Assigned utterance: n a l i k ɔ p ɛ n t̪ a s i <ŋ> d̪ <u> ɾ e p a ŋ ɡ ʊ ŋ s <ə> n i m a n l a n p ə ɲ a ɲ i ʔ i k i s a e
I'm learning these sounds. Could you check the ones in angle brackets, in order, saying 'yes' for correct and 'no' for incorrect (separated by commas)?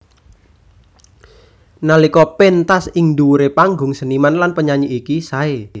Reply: yes, yes, yes